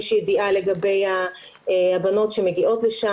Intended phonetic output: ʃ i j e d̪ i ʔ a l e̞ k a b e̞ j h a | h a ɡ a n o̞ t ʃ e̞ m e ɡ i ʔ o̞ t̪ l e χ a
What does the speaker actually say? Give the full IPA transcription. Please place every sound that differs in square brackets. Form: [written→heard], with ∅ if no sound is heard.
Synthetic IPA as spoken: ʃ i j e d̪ i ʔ a l e̞ [k→ɡ] a b e̞ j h a | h a [ɡ→b] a n o̞ t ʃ e̞ m e ɡ i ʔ o̞ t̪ l e [χ→ʃ] a